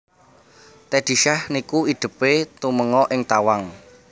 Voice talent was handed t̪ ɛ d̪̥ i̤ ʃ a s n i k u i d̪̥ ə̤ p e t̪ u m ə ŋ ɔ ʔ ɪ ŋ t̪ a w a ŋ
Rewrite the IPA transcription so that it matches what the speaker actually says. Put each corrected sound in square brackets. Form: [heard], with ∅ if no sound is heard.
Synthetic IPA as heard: t̪ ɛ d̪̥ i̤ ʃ a [h] n i k u i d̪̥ ə̤ p e t̪ u m ə ŋ ɔ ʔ ɪ ŋ t̪ a w a ŋ